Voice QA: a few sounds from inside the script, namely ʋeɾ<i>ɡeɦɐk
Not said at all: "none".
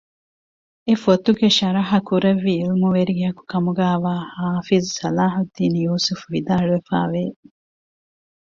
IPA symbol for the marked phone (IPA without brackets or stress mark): i